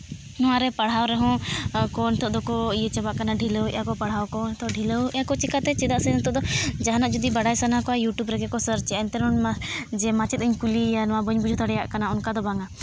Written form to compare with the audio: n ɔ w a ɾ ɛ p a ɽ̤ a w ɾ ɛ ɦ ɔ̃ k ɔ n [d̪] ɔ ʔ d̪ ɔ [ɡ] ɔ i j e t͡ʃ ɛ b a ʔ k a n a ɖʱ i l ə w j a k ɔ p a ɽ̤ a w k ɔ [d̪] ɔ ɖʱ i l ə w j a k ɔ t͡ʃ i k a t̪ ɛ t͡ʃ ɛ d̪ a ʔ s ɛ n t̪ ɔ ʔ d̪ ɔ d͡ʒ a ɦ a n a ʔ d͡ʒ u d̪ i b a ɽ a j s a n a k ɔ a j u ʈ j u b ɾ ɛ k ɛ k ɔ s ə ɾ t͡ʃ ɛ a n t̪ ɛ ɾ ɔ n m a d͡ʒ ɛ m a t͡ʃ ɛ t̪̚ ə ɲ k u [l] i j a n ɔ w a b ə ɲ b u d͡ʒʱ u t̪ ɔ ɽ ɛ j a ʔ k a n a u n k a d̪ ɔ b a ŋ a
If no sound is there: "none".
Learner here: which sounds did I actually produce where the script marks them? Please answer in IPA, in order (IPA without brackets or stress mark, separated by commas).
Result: t̪, k, t̪, l